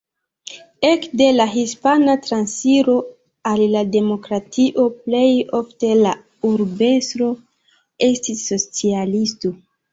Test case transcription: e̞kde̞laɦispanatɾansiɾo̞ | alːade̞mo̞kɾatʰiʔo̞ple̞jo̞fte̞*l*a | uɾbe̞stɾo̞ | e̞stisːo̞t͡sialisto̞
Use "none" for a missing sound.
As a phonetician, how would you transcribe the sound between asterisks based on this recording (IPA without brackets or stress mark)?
l